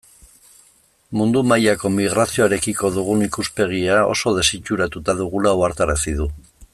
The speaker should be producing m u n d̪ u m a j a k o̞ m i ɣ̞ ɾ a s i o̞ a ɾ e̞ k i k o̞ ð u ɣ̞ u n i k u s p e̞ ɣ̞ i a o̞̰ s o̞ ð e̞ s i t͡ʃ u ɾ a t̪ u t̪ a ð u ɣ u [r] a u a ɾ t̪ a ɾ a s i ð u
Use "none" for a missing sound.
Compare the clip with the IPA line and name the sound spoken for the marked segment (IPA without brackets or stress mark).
l